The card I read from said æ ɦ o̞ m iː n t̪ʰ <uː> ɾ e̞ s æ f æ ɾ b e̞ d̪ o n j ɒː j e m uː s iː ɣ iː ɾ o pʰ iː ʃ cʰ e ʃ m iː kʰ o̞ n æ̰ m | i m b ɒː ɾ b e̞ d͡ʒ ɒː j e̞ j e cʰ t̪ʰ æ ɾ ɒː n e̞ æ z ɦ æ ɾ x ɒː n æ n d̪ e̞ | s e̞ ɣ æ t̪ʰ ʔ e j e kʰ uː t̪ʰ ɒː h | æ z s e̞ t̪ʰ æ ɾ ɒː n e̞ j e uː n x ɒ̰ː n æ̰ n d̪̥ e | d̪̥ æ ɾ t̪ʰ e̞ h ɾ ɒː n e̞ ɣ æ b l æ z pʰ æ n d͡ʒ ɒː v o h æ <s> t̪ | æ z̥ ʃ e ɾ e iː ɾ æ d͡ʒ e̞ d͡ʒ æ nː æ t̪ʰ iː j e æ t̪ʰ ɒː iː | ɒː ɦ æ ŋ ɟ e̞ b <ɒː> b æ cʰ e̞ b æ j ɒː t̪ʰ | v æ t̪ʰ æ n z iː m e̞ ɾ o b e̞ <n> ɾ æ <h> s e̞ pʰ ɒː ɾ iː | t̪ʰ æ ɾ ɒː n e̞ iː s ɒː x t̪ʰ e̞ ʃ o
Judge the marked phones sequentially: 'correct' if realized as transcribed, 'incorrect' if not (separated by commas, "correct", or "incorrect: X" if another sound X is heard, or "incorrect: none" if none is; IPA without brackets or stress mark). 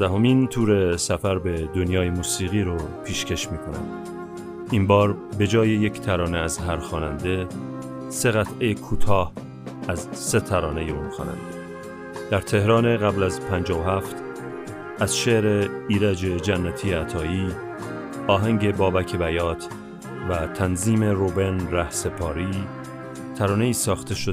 correct, incorrect: f, correct, correct, correct